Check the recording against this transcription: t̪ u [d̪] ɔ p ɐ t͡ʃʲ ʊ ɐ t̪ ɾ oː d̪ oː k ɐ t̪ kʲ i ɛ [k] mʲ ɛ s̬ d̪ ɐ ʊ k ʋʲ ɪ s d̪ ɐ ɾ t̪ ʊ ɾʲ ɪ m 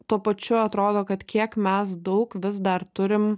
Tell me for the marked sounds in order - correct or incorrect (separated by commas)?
incorrect, correct